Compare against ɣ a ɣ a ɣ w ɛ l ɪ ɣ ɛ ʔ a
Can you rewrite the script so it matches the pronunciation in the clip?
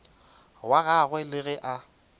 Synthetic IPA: w a ɣ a ɣ w ɛ l ɪ ɣ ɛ ʔ a